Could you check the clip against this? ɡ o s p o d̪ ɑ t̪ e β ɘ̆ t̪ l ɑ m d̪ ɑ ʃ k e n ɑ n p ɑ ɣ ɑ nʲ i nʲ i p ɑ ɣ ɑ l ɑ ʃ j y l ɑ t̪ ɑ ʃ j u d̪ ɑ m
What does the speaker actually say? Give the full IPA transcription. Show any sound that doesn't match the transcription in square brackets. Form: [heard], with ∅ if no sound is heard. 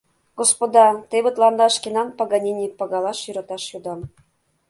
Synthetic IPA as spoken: ɡ o s p o d̪ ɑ t̪ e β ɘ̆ t̪ l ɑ [n] d̪ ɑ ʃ k e n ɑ n p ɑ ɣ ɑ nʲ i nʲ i p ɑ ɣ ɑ l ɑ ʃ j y [ɾ] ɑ t̪ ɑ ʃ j u d̪ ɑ m